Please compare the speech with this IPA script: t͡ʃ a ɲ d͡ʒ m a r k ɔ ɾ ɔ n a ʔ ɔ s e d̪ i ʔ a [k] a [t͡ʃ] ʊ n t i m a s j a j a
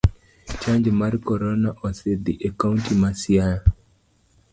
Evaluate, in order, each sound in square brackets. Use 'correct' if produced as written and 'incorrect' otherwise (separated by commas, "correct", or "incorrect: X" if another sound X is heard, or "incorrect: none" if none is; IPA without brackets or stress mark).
correct, incorrect: none